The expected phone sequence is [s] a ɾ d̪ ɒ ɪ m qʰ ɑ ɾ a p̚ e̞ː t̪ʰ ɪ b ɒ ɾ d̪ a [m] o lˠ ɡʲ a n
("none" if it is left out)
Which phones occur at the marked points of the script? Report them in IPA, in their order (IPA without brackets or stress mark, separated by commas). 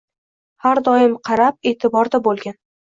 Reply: h, b